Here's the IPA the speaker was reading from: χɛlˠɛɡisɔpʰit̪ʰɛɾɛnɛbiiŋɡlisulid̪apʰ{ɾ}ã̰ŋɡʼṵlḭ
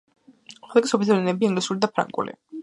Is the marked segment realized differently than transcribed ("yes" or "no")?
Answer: no